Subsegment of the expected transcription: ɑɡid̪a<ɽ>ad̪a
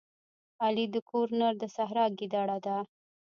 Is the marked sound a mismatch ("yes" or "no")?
no